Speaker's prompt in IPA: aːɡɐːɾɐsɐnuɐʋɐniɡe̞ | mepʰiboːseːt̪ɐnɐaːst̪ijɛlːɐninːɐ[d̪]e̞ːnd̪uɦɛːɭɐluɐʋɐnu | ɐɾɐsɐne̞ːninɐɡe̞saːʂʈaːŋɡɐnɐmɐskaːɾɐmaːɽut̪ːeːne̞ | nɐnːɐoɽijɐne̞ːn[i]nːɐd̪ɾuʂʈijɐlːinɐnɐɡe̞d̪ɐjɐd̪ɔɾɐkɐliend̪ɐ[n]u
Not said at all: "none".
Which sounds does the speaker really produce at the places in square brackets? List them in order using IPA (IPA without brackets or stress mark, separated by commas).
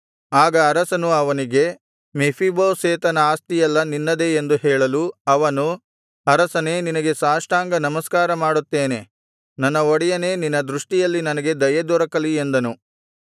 d̪, i, n